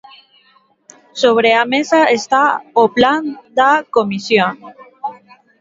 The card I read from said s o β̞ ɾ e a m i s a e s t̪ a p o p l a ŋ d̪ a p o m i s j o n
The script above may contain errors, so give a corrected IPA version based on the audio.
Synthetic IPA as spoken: s o β̞ ɾ e a m e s a e s t̪ a o p l a n d̪ a k o m i s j o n

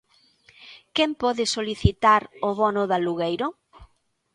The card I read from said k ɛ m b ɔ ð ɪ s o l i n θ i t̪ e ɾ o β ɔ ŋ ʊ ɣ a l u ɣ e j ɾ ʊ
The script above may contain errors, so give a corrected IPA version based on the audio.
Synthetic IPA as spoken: k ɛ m p ɔ ð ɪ s o l i θ i t̪ a ɾ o β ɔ n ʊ ð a l u ɣ e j ɾ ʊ

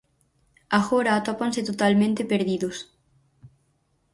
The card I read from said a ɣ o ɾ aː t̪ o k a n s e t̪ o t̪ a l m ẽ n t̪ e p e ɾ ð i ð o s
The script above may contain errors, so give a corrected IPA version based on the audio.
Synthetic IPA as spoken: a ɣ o ɾ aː t̪ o p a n s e t̪ o t̪ a l m ẽ n t̪ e p e ɾ ð i ð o s

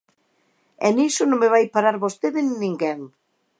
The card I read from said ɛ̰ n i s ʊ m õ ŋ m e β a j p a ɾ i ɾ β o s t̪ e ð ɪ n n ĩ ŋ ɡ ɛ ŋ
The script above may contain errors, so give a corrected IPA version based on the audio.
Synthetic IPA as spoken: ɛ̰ n i s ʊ n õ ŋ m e β a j p a ɾ a ɾ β o s t̪ e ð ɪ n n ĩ ŋ ɡ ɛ ŋ

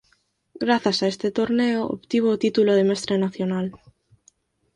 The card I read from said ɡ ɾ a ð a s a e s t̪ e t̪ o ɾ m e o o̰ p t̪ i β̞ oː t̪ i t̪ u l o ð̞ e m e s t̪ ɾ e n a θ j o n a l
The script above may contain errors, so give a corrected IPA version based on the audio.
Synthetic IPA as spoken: ɡ ɾ a θ a s a e s t̪ e t̪ o ɾ n e o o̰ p t̪ i β̞ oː t̪ i t̪ u l o ð̞ e m e s t̪ ɾ e n a θ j o n a l

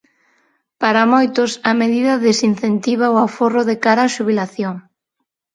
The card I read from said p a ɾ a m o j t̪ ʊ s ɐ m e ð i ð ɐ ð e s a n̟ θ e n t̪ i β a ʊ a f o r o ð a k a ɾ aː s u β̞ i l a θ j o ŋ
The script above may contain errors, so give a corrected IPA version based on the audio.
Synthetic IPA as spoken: p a ɾ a m o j t̪ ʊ s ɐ m e ð i ð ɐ ð e s i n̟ θ e n t̪ i β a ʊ a f o r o ð e k a ɾ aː ʃ u β̞ i l a θ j o ŋ

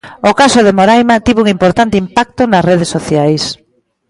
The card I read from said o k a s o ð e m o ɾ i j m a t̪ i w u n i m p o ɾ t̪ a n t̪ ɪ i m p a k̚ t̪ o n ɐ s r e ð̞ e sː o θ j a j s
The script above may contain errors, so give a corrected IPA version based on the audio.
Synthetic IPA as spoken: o k a s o ð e m o ɾ a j m a t̪ i β u ŋ i m p o ɾ t̪ a n t̪ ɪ i m p a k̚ t̪ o n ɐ s r e ð̞ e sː o θ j a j s

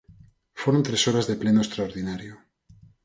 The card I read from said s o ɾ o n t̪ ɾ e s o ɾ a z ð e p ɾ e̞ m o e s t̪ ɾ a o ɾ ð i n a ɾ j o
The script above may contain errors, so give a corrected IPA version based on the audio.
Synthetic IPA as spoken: f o ɾ o n t̪ ɾ e s o ɾ a z ð e p l e̞ n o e s t̪ ɾ a o ɾ ð i n a ɾ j o

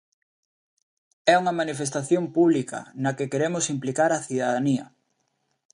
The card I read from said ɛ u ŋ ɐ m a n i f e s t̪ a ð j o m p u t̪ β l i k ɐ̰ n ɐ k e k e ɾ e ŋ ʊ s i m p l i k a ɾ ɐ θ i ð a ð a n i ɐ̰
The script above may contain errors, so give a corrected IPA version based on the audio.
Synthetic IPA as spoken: ɛ u ŋ ɐ m a n i f e s t̪ a θ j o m p u β l i k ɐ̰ n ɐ k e k e ɾ e m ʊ s i m p l i k a ɾ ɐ θ i ð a ð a n i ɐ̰

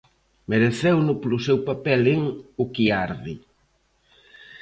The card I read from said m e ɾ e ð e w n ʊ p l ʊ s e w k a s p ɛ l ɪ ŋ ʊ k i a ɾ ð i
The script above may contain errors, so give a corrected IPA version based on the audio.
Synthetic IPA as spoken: m e ɾ e θ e w n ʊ p l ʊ s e w p a p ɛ l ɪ ŋ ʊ k i a ɾ ð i

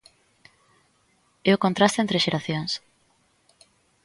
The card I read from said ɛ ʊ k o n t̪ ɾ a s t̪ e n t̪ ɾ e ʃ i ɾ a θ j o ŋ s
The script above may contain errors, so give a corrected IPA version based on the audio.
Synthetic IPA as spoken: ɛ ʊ k o n t̪ ɾ a s t̪ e n t̪ ɾ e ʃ e ɾ a θ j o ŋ s

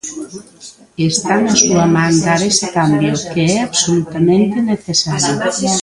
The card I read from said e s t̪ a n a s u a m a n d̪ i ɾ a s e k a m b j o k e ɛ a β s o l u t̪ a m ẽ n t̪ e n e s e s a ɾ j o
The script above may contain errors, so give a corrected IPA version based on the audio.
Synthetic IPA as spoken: e s t̪ a n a s u a m a n d̪ a ɾ e s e k a m b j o k e ɛ a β s o l u t̪ a m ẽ n t̪ e n e θ e s a ɾ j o

